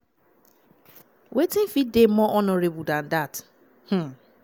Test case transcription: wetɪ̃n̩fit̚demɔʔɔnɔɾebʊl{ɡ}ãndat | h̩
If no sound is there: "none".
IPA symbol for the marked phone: d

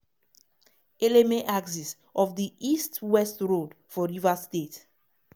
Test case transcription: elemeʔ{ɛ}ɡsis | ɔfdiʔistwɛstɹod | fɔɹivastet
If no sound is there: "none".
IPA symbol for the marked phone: a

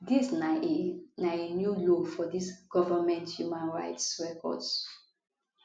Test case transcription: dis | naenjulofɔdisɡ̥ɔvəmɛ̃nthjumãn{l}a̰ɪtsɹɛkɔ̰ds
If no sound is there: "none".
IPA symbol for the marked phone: ɹ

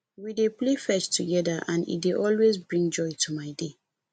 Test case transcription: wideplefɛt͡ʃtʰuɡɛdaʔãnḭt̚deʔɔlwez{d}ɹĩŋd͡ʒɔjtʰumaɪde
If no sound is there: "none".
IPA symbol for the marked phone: b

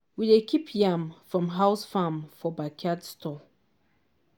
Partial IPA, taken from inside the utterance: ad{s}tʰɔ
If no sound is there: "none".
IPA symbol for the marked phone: s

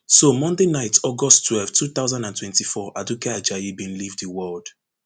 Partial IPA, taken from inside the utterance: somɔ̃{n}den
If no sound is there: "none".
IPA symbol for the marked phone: n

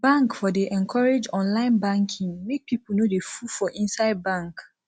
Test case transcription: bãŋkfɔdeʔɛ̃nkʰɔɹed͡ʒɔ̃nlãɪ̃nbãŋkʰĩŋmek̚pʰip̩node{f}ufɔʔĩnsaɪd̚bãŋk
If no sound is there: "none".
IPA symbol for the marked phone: f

